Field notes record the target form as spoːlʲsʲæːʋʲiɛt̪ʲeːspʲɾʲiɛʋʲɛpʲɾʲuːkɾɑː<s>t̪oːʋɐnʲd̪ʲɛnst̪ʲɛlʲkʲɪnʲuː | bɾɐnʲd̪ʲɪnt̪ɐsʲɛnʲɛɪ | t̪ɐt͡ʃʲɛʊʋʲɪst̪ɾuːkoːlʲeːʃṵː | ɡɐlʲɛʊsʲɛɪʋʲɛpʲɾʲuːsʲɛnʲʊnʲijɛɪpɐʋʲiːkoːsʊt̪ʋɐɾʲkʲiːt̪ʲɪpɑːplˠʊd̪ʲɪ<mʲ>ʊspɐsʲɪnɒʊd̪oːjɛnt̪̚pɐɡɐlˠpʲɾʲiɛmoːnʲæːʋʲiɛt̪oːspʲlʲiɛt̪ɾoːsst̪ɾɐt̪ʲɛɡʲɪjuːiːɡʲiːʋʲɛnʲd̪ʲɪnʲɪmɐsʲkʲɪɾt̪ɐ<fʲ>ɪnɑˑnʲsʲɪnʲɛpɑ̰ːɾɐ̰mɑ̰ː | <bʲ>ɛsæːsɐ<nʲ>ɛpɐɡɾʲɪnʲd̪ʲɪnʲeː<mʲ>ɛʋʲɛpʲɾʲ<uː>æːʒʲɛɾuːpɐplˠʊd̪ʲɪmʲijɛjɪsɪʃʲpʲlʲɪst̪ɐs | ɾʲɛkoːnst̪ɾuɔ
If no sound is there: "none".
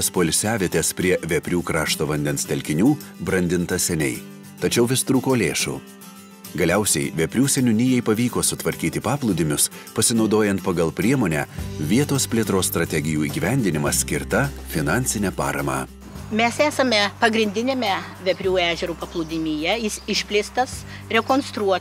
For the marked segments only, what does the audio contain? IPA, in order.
ʃ, mʲ, fʲ, mʲ, mʲ, mʲ, uː

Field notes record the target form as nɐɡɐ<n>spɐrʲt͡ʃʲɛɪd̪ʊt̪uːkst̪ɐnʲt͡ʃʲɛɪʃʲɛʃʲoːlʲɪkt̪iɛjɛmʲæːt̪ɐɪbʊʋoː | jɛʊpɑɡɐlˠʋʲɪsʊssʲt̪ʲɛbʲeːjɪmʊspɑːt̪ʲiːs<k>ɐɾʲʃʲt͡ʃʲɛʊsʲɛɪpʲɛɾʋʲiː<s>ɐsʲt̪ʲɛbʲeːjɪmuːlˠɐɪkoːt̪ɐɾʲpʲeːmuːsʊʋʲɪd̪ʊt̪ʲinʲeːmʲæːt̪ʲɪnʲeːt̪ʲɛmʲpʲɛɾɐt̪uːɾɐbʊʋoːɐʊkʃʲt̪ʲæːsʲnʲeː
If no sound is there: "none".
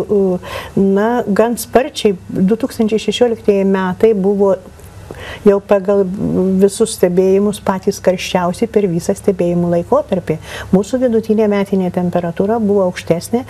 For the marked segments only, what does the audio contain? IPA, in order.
n, k, s

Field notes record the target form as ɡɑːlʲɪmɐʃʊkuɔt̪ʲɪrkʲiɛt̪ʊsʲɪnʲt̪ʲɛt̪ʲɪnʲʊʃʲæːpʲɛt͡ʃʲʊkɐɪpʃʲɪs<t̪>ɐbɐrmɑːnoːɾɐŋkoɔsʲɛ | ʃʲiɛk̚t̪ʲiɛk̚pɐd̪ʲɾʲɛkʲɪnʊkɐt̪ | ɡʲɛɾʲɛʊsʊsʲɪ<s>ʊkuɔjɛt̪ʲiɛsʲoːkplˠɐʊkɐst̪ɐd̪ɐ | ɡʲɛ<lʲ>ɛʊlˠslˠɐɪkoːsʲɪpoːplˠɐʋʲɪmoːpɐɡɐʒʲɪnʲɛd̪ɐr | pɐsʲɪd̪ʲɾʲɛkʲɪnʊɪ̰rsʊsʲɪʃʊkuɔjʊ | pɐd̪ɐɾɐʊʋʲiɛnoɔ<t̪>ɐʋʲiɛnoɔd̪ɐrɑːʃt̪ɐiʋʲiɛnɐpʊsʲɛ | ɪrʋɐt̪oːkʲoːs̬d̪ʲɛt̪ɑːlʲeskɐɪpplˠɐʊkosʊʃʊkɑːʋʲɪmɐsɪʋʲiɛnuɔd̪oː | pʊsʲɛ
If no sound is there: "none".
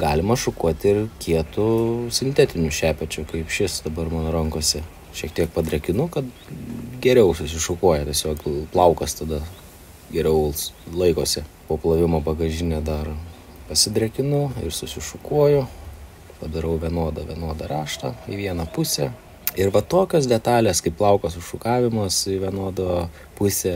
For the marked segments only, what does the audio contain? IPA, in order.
d̪, ʃ, ɾʲ, d̪

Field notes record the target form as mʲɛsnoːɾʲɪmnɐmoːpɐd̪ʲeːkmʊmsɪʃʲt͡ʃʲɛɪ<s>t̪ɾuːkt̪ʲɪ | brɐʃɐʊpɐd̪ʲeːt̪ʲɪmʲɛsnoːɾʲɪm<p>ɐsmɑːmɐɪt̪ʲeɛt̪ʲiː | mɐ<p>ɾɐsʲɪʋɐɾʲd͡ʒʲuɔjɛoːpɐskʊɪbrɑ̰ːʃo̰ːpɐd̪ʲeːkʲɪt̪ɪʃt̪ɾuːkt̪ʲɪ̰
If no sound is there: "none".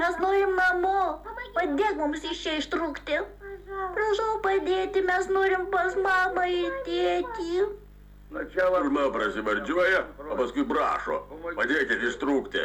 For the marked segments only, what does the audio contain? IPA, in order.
ʃ, p, p

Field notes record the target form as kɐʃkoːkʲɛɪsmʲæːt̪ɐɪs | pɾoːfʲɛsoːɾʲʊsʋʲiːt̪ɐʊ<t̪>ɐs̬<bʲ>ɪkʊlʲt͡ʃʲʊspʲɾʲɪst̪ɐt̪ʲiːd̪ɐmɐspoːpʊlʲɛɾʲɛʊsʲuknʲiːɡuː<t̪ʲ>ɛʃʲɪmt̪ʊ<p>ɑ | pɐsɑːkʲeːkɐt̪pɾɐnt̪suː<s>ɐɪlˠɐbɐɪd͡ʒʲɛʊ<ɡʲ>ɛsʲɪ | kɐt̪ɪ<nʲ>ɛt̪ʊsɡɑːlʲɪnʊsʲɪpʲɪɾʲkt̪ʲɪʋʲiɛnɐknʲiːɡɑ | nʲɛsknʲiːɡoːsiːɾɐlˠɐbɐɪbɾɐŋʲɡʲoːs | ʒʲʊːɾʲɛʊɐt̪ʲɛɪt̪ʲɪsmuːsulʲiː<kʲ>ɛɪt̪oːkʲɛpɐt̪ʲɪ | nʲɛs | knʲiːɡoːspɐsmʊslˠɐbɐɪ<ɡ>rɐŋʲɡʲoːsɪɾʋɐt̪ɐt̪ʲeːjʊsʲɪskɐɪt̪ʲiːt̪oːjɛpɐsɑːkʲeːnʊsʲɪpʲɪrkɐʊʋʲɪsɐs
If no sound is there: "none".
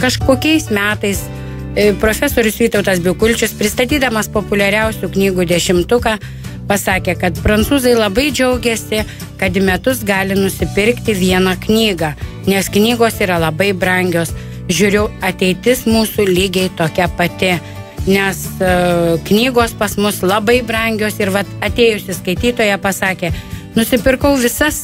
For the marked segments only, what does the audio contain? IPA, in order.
t̪, bʲ, d̪ʲ, k, z, ɡʲ, mʲ, ɡʲ, b

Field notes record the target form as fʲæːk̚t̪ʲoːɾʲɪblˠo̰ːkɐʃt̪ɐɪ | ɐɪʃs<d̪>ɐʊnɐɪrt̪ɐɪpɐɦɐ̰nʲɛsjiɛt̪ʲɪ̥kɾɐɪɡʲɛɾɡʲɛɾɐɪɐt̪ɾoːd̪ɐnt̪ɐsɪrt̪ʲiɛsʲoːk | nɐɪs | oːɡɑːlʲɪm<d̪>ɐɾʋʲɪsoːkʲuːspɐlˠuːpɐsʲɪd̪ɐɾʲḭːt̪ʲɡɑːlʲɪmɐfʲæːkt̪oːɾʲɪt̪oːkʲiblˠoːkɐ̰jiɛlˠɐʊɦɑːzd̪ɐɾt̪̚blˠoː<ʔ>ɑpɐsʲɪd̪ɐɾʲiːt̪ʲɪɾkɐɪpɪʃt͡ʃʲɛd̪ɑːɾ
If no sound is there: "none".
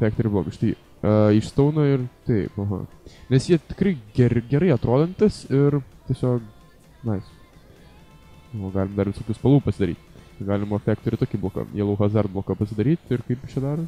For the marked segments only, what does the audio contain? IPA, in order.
t̪, d̪, k

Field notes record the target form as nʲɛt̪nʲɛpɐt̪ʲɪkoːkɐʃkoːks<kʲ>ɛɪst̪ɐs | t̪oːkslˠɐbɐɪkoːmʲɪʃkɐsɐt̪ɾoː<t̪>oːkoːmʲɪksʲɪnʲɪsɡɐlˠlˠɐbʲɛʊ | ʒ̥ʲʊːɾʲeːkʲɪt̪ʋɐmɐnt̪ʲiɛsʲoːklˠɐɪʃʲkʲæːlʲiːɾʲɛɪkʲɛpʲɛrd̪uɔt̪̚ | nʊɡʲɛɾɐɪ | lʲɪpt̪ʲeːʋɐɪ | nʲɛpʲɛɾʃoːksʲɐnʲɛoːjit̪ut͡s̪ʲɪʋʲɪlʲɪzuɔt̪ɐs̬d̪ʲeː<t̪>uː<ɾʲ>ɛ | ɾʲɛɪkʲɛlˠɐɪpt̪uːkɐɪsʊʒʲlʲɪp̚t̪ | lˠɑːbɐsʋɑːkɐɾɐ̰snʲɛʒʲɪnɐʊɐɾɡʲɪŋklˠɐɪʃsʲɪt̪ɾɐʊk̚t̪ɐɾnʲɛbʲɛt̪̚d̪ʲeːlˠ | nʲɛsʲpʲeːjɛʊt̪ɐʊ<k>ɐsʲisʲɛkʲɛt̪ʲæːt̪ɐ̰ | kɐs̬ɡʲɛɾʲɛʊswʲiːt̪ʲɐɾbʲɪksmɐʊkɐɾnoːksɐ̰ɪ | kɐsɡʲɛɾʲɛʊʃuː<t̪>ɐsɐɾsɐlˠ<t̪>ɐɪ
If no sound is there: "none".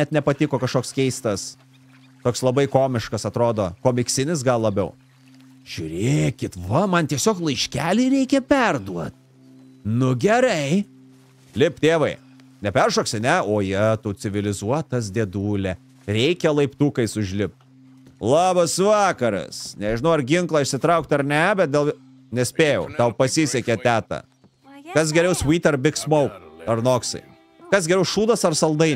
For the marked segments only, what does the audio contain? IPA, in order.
kʲ, d̪, d̪, lʲ, p, d̪, d̪

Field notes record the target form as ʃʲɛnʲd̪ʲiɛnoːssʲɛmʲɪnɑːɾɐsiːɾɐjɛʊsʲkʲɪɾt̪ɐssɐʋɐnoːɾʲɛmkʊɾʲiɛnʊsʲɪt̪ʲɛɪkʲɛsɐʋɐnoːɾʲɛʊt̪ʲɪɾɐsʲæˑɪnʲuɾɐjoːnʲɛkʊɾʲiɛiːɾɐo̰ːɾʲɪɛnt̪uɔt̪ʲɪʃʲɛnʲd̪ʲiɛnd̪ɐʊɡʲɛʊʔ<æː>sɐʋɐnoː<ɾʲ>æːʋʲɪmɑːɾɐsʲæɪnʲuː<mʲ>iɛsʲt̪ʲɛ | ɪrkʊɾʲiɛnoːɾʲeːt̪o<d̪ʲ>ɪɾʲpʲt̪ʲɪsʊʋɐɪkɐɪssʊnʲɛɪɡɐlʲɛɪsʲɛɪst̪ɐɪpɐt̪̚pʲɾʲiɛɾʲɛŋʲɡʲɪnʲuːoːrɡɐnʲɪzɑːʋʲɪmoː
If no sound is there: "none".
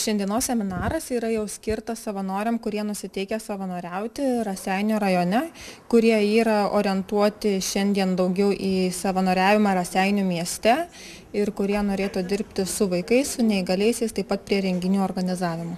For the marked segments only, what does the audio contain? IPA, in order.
iː, ɾʲ, mʲ, d̪ʲ

